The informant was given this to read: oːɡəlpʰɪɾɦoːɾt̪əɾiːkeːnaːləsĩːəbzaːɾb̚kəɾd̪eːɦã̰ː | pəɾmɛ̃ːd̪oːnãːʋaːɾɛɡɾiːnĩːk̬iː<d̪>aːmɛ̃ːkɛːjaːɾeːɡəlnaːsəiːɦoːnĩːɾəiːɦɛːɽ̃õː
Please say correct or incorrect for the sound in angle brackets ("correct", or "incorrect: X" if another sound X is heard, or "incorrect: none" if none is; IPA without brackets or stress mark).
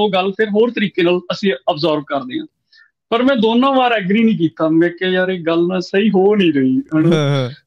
incorrect: t̪